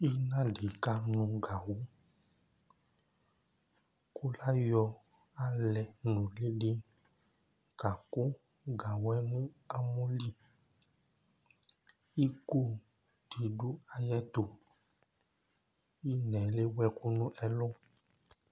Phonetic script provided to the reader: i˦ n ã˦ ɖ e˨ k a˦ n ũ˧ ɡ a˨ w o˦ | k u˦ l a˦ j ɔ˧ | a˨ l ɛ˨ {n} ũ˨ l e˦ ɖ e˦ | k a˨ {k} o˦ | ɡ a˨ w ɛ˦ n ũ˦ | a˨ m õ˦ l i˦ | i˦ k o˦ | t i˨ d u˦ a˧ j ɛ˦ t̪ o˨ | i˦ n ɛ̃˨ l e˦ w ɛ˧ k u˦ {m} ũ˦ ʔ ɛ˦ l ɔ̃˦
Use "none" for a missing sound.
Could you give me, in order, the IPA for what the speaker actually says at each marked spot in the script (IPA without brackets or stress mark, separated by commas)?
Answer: n, k, n